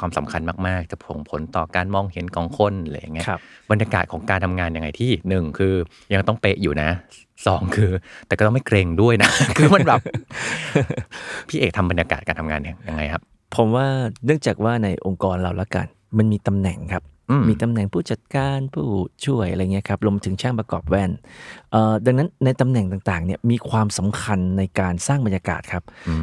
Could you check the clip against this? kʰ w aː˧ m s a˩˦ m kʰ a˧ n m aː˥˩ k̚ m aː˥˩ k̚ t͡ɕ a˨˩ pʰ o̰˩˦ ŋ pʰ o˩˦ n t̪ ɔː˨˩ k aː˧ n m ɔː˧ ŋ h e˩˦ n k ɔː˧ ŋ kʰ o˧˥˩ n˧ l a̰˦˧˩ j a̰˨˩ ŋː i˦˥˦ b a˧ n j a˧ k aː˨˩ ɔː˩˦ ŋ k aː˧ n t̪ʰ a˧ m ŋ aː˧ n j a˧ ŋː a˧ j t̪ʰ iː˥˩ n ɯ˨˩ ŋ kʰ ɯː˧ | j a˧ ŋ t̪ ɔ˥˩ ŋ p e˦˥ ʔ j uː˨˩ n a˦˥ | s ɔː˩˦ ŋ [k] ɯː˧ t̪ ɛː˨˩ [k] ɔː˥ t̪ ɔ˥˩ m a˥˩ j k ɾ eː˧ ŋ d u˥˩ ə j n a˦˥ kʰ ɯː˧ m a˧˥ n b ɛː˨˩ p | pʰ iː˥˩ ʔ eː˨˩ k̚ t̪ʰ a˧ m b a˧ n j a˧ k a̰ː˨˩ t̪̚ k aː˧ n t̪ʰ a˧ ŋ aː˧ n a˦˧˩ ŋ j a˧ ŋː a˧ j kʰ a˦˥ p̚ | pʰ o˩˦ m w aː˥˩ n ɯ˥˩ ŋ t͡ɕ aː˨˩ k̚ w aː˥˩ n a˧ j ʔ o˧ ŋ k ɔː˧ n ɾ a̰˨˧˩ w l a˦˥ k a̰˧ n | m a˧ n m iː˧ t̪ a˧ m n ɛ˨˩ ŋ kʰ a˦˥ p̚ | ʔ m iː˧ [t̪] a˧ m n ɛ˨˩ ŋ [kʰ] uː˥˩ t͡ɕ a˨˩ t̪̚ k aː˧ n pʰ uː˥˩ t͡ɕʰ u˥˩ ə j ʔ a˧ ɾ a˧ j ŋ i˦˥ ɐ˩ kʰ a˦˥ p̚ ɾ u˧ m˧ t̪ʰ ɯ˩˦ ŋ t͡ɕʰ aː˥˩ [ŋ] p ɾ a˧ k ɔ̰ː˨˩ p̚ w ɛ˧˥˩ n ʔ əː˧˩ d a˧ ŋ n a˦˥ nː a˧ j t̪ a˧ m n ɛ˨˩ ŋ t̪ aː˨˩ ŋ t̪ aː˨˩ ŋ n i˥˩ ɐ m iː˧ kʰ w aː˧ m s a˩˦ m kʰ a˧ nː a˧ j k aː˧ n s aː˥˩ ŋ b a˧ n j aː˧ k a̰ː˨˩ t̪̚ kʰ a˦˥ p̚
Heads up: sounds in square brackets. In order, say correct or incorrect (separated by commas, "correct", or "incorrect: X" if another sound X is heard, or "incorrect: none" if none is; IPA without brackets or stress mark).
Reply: incorrect: kʰ, correct, correct, incorrect: pʰ, correct